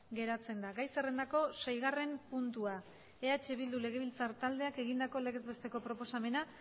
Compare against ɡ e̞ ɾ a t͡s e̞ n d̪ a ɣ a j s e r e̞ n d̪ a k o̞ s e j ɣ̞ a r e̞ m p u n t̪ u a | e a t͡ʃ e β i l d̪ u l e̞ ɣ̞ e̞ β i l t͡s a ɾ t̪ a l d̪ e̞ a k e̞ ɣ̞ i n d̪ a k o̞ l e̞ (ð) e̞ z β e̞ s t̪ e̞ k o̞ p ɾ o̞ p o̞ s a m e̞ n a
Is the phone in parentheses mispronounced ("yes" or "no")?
yes